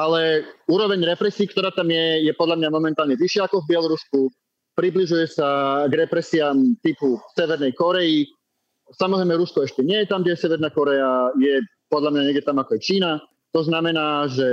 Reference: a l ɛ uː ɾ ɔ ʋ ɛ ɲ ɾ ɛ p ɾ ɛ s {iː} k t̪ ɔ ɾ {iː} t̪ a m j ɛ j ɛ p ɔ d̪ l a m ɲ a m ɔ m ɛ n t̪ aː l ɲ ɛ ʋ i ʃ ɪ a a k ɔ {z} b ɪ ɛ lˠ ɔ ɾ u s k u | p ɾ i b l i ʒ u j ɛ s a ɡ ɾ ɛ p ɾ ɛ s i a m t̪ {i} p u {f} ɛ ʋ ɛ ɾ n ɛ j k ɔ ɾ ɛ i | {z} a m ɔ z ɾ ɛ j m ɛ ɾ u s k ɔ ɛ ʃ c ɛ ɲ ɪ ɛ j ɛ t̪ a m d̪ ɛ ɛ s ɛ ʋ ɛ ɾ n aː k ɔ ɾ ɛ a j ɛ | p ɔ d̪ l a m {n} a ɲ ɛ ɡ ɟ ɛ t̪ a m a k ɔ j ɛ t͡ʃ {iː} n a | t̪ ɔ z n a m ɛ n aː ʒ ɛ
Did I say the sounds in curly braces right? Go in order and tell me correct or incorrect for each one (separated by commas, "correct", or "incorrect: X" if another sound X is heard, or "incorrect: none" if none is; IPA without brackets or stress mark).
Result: correct, incorrect: aː, incorrect: v, correct, incorrect: s, incorrect: s, incorrect: ɲ, correct